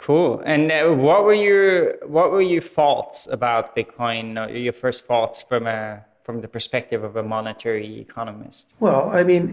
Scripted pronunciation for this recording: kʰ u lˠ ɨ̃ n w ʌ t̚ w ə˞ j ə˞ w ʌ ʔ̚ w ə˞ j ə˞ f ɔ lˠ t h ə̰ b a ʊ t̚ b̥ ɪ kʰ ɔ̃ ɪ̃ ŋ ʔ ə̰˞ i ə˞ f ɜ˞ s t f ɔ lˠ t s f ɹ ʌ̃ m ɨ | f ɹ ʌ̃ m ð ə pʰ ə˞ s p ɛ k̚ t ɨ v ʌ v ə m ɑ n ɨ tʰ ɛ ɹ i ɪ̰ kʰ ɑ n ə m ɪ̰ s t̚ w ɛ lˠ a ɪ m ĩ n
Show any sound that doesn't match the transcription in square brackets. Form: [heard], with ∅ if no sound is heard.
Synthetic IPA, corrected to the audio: kʰ u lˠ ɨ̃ n w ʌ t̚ w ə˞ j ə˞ w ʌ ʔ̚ w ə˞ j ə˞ f ɔ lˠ t [s] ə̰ b a ʊ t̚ b̥ ɪ kʰ ɔ̃ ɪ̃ [n] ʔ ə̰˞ [j] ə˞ f ɜ˞ s t f ɔ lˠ t s f ɹ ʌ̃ m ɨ | f ɹ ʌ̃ m ð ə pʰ ə˞ s p ɛ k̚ t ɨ v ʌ v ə m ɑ n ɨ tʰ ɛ ɹ i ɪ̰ kʰ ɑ n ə m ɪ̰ s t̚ w ɛ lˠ a ɪ m ĩ n